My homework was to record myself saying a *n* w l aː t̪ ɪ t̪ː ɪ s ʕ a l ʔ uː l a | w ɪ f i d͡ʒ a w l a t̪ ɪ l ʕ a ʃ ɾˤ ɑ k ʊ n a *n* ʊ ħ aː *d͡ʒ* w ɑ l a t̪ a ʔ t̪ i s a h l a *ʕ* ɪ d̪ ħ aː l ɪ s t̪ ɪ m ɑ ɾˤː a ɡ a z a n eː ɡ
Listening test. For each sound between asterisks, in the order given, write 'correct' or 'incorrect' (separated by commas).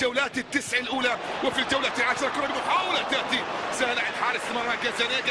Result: incorrect, incorrect, incorrect, correct